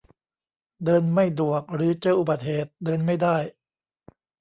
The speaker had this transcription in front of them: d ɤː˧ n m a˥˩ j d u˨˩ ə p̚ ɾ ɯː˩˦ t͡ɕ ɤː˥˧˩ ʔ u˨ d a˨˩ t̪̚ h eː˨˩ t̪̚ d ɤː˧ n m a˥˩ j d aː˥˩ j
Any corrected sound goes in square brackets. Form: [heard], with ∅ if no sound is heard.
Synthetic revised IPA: d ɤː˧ n m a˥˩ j d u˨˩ ə [k̚] ɾ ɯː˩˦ t͡ɕ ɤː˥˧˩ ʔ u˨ [b] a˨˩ t̪̚ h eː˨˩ t̪̚ d ɤː˧ n m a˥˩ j d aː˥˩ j

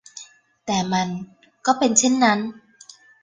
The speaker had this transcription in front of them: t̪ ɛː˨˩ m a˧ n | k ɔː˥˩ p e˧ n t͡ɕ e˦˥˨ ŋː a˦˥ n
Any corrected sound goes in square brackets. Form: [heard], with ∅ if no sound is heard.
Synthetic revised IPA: t̪ ɛː˨˩ m a˧ n | k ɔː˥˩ p e˧ n [t͡ɕʰ] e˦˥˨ [nː] a˦˥ n

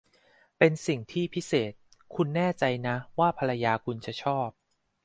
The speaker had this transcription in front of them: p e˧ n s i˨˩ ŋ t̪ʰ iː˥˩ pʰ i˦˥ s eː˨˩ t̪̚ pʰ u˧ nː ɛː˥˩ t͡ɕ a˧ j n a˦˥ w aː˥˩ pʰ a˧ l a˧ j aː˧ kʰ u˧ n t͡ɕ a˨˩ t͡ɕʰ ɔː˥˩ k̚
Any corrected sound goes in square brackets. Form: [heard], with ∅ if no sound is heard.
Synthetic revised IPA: p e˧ n s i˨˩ ŋ t̪ʰ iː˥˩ pʰ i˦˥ s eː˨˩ t̪̚ [kʰ] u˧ nː ɛː˥˩ t͡ɕ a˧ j n a˦˥ w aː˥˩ pʰ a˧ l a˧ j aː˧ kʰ u˧ n t͡ɕ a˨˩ t͡ɕʰ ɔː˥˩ [p̚]

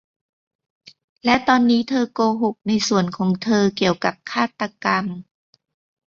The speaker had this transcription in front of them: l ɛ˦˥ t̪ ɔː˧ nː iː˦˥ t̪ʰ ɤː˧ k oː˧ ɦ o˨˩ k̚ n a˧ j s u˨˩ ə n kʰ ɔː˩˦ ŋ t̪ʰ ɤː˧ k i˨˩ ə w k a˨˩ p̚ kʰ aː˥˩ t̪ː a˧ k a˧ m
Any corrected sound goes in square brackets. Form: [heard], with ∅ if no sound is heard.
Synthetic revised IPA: l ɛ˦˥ t̪ ɔː˧ nː iː˦˥ t̪ʰ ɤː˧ k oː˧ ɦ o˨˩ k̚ n a˧ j s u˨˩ ə n kʰ ɔː˩˦ ŋ t̪ʰ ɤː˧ k i˨˩ ə w k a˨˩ p̚ kʰ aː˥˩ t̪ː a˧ k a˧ m

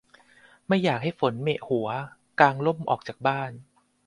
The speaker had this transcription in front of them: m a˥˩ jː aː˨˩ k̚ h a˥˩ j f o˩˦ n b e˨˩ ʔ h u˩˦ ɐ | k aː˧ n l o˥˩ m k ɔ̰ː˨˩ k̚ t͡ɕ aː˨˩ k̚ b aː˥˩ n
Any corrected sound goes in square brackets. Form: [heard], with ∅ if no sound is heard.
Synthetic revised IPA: m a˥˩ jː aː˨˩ k̚ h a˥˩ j f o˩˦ n [m] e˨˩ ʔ h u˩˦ ɐ | k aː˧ [ŋ] l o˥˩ m [ʔ] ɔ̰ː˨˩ k̚ t͡ɕ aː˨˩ k̚ b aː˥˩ n

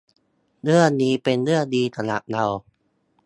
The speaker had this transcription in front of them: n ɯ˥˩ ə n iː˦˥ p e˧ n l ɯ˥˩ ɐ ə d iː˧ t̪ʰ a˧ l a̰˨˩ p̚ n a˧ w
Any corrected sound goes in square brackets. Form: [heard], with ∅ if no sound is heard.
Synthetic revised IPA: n ɯ˥˩ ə n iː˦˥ p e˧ n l ɯ˥˩ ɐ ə d iː˧ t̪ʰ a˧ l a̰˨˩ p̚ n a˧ w

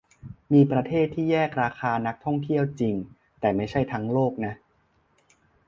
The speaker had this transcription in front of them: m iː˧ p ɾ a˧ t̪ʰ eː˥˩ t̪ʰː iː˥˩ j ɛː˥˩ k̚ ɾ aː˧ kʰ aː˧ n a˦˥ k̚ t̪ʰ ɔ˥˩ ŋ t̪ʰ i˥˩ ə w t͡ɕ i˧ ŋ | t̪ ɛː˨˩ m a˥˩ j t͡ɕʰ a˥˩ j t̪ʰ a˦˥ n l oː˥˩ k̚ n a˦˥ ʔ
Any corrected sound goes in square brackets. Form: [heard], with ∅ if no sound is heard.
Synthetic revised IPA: m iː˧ p ɾ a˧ t̪ʰ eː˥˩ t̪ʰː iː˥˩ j ɛː˥˩ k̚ ɾ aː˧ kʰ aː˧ n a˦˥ k̚ t̪ʰ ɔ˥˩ ŋ t̪ʰ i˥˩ ə w t͡ɕ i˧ ŋ | t̪ ɛː˨˩ m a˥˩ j t͡ɕʰ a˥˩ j t̪ʰ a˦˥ [ŋ] l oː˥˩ k̚ n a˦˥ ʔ

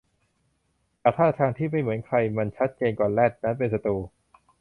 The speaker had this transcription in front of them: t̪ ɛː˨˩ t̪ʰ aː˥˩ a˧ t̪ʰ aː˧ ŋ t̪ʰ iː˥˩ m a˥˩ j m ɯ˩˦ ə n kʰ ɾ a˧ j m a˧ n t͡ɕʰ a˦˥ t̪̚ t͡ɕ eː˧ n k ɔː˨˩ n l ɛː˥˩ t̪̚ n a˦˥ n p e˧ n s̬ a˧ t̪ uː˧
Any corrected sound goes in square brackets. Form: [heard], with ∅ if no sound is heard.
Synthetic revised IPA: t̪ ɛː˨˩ t̪ʰ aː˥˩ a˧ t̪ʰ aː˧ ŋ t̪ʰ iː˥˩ m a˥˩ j m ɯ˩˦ ə n kʰ ɾ a˧ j m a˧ n t͡ɕʰ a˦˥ t̪̚ t͡ɕ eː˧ n k ɔː˨˩ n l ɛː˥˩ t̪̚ n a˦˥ n p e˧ n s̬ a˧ t̪ uː˧

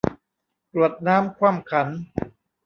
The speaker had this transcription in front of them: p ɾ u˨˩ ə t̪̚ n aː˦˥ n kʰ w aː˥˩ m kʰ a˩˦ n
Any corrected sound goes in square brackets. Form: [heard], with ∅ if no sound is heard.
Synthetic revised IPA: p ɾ u˨˩ ə t̪̚ n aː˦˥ [m] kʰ w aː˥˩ m kʰ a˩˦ n

